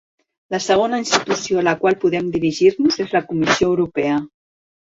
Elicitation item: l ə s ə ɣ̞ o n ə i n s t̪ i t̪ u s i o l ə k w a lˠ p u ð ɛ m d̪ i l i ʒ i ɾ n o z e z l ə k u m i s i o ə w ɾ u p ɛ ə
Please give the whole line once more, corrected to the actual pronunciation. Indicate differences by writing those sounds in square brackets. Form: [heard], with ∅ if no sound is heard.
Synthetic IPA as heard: l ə s ə ɣ̞ o n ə i n s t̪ i t̪ u s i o l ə k w a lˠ p u ð ɛ m d̪ i [ɾ] i ʒ i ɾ n [u] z e z l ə k u m i s i o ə w ɾ u p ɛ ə